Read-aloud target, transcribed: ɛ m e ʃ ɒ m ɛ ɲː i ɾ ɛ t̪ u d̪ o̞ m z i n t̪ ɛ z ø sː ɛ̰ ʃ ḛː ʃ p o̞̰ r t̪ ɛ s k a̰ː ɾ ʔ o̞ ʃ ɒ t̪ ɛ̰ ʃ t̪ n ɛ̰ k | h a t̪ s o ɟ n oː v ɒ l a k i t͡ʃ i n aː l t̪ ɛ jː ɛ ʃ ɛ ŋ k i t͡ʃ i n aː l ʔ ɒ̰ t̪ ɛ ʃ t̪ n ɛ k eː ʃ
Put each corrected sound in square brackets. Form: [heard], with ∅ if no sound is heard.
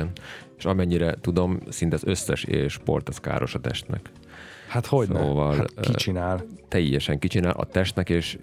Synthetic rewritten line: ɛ [n] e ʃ ɒ m ɛ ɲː i ɾ ɛ t̪ u d̪ o̞ m [s] i n t̪ ɛ z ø sː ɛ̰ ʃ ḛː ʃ p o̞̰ r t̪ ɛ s k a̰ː ɾ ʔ o̞ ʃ ɒ t̪ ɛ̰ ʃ t̪ n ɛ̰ k | h a t̪ [h] o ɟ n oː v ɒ l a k i t͡ʃ i n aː l t̪ ɛ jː ɛ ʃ ɛ ŋ k i t͡ʃ i n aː l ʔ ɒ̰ t̪ ɛ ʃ t̪ n ɛ k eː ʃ